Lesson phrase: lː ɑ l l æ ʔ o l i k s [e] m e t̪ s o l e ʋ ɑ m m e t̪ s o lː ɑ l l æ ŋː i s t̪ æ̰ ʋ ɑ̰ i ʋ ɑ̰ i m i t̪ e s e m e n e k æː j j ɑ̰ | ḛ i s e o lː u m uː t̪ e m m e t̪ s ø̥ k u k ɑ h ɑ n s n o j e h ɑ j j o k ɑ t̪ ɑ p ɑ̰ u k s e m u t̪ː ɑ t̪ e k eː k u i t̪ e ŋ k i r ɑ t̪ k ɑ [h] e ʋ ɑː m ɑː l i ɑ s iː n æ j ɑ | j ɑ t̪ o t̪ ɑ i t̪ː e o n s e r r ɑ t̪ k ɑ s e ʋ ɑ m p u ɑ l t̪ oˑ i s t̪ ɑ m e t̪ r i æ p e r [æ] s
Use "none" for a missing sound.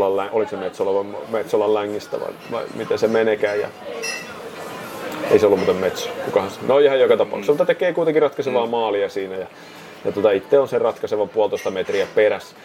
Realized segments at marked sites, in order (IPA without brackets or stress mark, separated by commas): e, s, æ